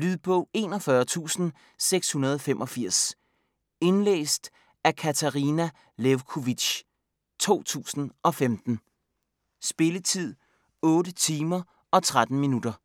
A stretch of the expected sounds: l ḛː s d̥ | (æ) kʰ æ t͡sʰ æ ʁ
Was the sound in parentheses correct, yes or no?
yes